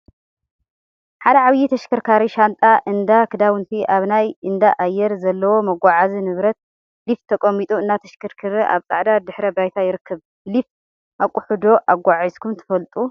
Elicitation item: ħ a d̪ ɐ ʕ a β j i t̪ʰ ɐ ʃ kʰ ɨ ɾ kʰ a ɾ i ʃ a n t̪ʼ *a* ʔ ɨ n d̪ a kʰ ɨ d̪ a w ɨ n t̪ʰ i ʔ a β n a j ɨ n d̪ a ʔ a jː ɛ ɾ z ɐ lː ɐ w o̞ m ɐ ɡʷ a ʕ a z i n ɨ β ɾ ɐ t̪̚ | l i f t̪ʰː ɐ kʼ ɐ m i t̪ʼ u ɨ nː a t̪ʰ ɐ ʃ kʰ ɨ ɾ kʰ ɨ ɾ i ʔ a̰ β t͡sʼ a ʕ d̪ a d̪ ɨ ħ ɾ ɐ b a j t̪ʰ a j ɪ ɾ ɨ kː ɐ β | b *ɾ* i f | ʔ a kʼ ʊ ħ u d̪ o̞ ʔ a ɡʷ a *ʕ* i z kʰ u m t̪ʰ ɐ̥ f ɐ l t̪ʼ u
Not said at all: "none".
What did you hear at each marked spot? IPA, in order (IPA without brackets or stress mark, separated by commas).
a, l, ʕ